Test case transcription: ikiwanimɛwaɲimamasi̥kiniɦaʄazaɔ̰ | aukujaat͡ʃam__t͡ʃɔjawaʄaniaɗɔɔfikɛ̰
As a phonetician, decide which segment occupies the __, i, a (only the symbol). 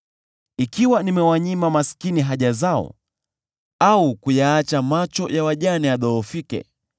a